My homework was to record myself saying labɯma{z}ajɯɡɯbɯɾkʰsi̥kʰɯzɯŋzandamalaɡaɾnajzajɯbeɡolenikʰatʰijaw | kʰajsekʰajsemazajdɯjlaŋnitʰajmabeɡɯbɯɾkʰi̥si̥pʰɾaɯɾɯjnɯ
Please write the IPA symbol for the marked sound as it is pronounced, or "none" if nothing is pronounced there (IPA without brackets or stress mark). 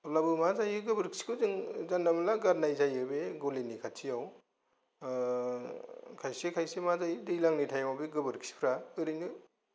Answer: z